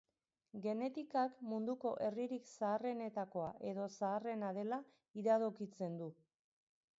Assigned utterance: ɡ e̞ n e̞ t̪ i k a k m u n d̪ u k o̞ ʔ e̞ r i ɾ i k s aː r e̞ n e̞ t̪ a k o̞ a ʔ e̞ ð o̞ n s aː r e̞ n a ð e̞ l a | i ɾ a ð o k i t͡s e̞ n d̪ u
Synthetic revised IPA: ɡ e̞ n e̞ t̪ i k a k m u n d̪ u k o̞ ʔ e̞ r i ɾ i k s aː r e̞ n e̞ t̪ a k o̞ a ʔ e̞ ð o̞ s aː r e̞ n a ð e̞ l a | i ɾ a ð o k i t͡s e̞ n d̪ u